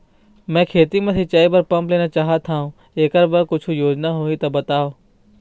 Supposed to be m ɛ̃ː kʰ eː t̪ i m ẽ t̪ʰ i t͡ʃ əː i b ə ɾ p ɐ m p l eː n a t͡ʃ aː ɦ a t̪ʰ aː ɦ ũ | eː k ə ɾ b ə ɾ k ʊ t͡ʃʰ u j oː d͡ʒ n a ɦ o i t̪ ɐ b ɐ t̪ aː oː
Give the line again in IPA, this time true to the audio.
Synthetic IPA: m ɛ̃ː kʰ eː t̪ i m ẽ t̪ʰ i t͡ʃ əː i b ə ɾ p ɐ m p l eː n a t͡ʃ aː ɦ a t̪ʰ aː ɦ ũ | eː k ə ɾ b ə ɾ k ʊ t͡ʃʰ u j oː d͡ʒ n a ɦ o i t̪ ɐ b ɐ t̪ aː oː